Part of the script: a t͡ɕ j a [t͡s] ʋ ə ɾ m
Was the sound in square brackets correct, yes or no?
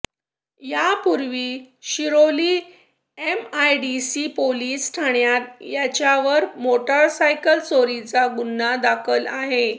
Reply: no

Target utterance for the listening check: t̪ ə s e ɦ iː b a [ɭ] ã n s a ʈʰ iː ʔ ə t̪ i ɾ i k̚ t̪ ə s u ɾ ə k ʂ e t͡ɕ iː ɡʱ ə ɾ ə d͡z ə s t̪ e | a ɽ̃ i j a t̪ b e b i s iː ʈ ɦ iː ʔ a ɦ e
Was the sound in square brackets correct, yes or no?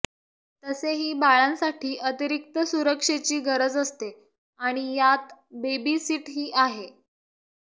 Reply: yes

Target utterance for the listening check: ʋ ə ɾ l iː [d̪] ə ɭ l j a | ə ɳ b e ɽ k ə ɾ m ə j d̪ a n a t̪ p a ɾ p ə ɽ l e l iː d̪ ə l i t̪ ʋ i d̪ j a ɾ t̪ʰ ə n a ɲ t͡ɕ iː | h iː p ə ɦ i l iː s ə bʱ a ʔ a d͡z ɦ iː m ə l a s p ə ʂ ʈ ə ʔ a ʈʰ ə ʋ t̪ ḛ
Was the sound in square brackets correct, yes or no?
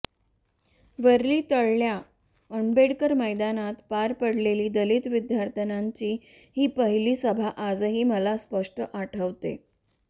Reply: no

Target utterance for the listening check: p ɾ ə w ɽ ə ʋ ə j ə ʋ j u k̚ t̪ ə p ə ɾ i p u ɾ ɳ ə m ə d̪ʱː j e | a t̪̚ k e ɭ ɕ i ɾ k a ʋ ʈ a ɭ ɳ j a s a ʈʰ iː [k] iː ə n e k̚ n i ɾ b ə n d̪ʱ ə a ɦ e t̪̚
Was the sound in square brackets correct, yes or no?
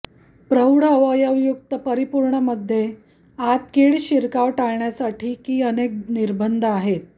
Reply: yes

